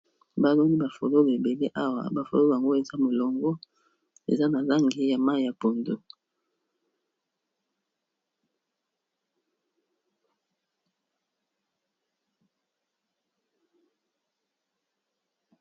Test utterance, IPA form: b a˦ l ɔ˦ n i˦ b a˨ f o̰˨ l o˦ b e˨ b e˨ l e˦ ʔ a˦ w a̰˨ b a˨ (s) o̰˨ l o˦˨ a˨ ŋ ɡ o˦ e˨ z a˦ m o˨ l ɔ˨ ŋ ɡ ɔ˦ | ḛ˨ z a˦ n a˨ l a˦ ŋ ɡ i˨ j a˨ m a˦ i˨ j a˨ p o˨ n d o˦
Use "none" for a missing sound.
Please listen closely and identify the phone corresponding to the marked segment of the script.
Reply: f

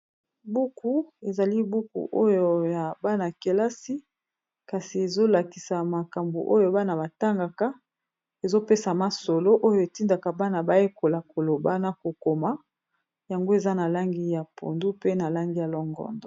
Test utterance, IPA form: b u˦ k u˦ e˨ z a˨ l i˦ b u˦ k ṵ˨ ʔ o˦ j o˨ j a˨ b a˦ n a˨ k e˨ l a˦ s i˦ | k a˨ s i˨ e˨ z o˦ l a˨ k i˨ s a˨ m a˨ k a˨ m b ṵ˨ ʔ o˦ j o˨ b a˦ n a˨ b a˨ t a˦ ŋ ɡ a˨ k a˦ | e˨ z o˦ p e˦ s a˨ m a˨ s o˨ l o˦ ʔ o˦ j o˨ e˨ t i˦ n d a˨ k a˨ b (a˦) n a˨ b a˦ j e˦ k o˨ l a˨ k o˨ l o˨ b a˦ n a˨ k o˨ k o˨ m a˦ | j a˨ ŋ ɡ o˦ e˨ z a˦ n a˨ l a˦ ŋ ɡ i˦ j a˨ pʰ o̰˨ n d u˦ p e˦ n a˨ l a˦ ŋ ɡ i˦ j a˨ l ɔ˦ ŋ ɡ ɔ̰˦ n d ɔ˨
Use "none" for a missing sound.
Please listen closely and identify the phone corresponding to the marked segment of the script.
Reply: a˦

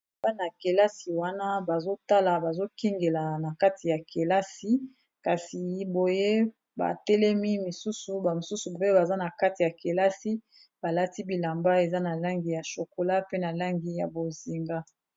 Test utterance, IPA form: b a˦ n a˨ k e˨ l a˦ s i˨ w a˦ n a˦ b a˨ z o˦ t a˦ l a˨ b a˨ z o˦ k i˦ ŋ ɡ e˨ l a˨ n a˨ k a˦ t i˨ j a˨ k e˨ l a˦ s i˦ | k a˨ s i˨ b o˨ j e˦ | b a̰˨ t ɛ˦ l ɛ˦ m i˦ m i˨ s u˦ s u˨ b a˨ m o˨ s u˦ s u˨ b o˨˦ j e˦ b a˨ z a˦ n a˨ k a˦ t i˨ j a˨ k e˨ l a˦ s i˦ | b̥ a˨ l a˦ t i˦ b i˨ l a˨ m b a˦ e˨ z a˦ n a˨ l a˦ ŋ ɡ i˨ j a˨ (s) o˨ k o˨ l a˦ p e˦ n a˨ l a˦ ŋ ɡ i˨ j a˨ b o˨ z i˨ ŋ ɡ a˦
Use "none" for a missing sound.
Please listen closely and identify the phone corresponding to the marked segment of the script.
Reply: ʃ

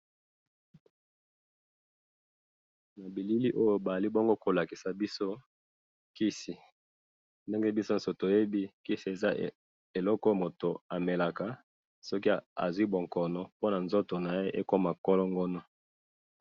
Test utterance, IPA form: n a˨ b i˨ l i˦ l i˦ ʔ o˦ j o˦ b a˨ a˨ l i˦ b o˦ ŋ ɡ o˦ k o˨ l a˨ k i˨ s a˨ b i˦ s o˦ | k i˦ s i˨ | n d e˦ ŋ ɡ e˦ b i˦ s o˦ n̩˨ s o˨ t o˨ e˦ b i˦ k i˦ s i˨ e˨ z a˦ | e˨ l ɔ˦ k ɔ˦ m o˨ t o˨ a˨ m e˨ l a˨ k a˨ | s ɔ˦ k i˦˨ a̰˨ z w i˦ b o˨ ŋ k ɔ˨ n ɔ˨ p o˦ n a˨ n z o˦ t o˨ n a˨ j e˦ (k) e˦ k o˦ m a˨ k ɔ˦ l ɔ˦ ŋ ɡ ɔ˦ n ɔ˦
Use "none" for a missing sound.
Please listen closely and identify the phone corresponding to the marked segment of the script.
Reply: ʔ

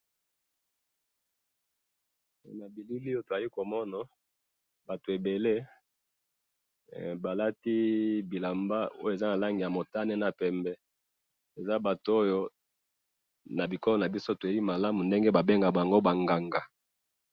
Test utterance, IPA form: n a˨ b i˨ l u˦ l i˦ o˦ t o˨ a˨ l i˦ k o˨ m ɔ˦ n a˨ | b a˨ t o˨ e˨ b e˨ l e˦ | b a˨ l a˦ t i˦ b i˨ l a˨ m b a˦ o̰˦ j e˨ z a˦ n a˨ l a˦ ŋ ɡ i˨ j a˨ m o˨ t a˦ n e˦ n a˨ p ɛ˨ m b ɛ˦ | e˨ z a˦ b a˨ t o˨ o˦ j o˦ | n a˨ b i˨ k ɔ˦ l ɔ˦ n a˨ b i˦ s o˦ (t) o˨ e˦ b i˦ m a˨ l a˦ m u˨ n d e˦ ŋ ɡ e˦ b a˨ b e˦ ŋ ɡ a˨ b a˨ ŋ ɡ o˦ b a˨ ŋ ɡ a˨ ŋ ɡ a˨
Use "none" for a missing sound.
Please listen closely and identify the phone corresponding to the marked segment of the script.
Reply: t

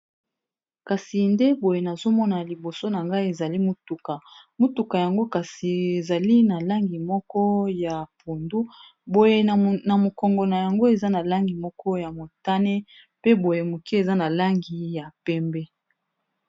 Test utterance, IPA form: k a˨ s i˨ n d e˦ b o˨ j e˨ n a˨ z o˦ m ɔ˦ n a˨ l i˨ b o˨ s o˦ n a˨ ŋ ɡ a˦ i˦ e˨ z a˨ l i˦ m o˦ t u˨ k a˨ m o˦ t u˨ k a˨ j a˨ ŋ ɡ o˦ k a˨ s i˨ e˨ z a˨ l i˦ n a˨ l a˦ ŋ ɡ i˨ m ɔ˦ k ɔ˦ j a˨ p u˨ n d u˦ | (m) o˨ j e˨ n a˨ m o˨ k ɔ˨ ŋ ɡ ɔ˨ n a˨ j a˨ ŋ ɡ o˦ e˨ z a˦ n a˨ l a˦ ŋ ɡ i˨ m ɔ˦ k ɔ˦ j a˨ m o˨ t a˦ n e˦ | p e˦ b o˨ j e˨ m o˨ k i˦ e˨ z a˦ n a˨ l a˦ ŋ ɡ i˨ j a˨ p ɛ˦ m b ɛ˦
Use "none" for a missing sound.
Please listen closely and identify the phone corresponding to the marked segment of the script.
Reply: b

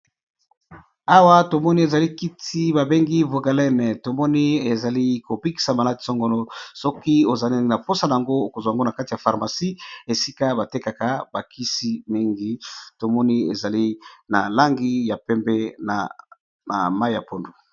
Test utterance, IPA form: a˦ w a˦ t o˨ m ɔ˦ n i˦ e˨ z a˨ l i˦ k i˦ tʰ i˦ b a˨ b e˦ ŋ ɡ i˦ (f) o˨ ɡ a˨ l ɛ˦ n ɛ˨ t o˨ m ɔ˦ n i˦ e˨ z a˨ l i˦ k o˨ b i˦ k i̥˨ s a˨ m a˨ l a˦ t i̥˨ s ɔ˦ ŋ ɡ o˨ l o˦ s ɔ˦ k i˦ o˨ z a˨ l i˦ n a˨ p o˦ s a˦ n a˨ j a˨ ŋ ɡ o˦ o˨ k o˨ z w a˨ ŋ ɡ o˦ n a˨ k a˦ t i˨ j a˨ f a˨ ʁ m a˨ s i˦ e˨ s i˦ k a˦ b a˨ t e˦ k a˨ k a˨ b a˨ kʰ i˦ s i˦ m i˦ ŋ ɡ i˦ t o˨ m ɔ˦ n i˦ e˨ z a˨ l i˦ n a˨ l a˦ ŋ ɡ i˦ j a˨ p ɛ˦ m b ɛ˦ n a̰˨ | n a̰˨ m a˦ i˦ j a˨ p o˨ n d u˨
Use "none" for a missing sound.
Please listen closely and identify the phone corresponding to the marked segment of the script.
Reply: v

